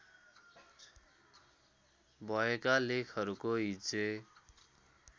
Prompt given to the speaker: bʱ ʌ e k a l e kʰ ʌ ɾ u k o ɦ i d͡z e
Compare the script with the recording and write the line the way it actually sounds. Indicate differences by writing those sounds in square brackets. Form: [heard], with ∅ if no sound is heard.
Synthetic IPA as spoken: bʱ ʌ e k a l e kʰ ʌ ɾ u k o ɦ i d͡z e